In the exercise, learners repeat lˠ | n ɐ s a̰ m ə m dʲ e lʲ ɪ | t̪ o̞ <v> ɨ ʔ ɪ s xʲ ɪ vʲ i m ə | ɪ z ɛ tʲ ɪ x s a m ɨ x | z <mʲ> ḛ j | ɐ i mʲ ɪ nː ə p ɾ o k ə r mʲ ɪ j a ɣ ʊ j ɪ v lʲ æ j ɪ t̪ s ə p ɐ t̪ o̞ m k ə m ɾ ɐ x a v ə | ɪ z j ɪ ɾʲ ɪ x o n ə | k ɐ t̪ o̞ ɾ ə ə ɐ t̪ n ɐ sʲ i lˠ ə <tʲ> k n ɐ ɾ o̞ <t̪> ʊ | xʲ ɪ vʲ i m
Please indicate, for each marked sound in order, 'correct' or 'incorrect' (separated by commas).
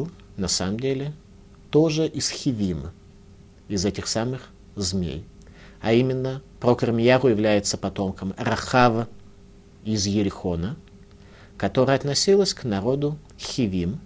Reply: incorrect, correct, incorrect, incorrect